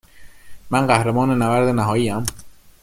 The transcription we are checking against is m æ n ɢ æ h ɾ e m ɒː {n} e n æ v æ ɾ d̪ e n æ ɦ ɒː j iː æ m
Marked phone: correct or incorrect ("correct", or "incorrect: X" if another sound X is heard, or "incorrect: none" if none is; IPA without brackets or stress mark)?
correct